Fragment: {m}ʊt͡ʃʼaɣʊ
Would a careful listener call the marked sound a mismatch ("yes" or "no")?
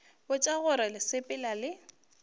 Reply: yes